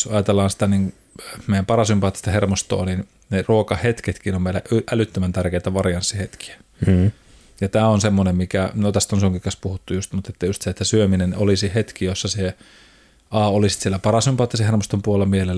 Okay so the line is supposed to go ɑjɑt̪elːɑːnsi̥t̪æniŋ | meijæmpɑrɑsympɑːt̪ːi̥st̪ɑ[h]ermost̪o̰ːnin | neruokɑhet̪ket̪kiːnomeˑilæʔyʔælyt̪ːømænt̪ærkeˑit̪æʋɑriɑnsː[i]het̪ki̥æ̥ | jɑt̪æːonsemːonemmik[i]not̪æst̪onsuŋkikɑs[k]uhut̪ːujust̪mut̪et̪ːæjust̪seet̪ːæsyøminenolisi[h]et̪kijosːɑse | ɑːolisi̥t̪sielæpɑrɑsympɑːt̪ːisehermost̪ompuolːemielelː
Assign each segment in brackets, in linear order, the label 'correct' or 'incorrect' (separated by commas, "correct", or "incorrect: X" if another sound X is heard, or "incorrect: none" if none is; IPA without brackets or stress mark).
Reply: correct, correct, incorrect: æ, incorrect: p, correct